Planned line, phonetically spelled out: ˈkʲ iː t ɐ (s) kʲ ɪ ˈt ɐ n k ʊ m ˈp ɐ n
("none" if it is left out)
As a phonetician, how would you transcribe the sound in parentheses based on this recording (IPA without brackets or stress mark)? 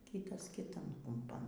s